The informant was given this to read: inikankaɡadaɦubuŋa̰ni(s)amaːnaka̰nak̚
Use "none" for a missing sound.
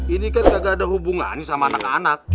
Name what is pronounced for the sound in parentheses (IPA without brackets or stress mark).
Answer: s